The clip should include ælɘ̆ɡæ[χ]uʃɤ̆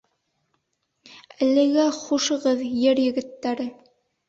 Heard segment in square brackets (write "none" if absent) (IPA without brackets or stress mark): χ